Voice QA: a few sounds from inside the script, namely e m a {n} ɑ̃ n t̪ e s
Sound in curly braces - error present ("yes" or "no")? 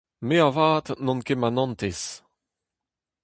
no